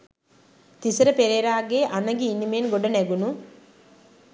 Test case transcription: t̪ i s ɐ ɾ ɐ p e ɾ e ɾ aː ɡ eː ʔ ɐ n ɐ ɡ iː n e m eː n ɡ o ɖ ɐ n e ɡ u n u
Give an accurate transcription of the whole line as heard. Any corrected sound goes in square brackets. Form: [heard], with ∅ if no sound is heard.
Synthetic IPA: t̪ i s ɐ ɾ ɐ p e ɾ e ɾ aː ɡ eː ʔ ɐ n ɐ ɡ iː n [i] m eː n ɡ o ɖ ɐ n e ɡ u n u